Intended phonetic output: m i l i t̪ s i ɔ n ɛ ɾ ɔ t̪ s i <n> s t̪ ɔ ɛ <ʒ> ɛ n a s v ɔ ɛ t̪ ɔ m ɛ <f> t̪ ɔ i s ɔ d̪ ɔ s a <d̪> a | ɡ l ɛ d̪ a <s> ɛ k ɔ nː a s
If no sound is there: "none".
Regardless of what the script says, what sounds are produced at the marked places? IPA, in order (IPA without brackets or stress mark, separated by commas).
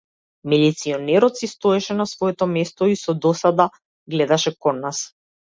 none, ʃ, s, d̪, ʃ